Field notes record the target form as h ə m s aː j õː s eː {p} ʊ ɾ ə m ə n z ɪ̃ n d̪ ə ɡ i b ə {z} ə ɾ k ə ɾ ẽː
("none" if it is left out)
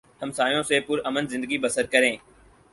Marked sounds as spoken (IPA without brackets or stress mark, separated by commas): p, s